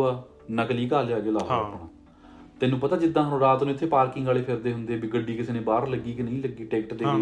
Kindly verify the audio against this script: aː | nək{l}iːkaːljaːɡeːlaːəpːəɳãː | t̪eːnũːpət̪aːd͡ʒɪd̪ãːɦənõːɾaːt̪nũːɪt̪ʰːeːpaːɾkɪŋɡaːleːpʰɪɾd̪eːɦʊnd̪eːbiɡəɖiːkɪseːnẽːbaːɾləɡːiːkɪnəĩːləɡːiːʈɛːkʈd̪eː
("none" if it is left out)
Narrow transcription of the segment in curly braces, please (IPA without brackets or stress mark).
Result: l